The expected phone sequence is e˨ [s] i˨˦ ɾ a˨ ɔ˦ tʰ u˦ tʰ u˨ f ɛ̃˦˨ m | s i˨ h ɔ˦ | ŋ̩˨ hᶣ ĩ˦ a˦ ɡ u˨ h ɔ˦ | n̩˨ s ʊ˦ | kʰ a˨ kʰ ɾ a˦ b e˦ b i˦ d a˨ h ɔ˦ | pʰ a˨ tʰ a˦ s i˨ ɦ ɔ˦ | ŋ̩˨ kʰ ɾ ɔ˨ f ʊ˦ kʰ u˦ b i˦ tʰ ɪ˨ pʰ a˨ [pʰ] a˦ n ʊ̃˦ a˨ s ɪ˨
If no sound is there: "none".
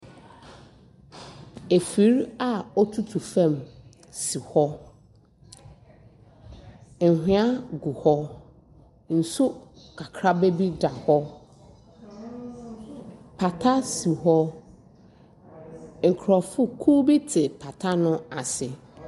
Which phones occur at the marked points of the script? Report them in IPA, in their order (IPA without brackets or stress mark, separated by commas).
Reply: f, tʰ